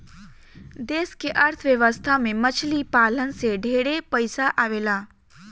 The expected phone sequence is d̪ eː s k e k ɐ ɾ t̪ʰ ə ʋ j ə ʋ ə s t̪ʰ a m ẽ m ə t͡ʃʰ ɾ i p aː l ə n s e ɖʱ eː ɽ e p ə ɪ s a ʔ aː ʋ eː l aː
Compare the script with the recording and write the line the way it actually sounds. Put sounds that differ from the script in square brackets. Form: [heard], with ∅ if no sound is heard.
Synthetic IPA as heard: d̪ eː s k e [ʔ] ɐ ɾ t̪ʰ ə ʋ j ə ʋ ə s t̪ʰ a m ẽ m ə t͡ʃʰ [l] i p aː l ə n s e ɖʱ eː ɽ e p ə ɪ s a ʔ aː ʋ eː l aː